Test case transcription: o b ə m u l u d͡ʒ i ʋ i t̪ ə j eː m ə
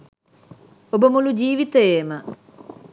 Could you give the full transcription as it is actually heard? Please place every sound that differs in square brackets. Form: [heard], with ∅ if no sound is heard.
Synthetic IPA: o b ə m u l u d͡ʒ [iː] ʋ i t̪ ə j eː m ə